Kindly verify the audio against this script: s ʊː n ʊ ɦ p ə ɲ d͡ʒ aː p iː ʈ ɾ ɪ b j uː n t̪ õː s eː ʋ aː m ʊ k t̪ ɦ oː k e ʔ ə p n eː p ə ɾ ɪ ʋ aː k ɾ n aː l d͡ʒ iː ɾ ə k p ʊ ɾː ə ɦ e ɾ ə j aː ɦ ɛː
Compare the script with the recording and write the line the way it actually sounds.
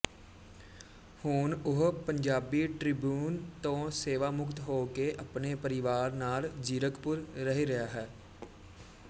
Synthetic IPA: h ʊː n ʊ ɦ p ə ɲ d͡ʒ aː b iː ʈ ɾ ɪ b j uː n t̪ õː s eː ʋ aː m ʊ k t̪ ɦ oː k e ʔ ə p n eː p ə ɾ ɪ ʋ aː ɾ n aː l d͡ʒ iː ɾ ə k p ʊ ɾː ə ɦ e ɾ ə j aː ɦ ɛː